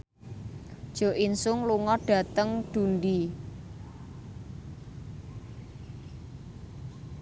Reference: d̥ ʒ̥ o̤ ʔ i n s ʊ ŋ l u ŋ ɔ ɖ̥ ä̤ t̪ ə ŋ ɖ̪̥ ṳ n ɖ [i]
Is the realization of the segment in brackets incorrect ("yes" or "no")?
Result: no